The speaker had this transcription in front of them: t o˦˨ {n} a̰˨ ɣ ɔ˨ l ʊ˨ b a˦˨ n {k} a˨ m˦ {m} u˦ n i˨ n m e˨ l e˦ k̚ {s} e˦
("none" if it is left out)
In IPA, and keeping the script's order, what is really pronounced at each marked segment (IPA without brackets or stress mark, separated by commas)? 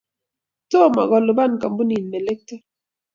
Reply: m, k, b, t